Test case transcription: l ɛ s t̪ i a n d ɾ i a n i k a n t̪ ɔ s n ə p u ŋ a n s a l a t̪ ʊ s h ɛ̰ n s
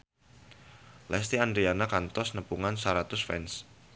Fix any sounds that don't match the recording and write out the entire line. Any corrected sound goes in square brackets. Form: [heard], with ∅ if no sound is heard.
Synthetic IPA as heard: l ɛ s t̪ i a n d ɾ i a n [a] k a n t̪ ɔ s n ə p u ŋ a n s a [ɾ] a t̪ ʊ s [f] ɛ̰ n s